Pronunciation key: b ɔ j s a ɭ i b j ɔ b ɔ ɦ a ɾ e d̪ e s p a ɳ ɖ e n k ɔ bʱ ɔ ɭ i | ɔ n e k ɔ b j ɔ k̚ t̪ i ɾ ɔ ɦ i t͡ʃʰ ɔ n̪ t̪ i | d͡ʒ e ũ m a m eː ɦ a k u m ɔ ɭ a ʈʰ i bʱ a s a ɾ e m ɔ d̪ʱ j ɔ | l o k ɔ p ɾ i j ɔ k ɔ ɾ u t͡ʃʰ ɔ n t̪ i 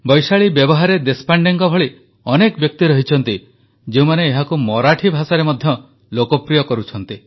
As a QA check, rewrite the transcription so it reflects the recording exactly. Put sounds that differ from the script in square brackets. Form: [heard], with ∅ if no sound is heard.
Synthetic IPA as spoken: b ɔ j s a ɭ i b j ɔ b ɔ ɦ a ɾ e d̪ e s p a ɳ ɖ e [ŋ] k ɔ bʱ ɔ ɭ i | ɔ n e k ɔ b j ɔ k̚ t̪ i ɾ ɔ ɦ i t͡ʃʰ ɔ n̪ t̪ i | d͡ʒ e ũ m a [n] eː ɦ a k u m ɔ [ɾ] a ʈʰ i bʱ a s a ɾ e m ɔ d̪ʱ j ɔ | l o k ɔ p ɾ i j ɔ k ɔ ɾ u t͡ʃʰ ɔ n t̪ i